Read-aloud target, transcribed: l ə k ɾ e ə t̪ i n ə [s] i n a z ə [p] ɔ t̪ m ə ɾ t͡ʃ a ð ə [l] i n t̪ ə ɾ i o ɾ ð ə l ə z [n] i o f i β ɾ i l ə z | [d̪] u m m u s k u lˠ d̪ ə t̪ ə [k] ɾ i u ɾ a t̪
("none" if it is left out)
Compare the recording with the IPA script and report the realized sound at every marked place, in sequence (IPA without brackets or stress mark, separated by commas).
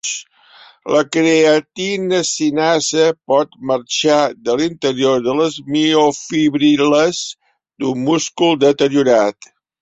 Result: s, p, l, m, d̪, none